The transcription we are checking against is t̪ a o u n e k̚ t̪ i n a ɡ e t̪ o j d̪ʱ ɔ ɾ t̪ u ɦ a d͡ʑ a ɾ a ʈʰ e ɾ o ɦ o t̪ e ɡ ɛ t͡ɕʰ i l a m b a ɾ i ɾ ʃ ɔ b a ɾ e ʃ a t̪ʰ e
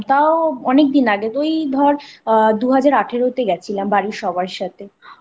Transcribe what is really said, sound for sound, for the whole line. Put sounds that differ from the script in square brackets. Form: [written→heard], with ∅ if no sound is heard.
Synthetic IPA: t̪ a o [u→ɔ] n e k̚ [t̪→d̪] i n a ɡ e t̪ o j d̪ʱ ɔ ɾ [t̪→d̪] u ɦ a d͡ʑ a ɾ a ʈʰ e ɾ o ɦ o t̪ e ɡ ɛ t͡ɕʰ i l a m b a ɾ i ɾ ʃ ɔ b a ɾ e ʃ a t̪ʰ e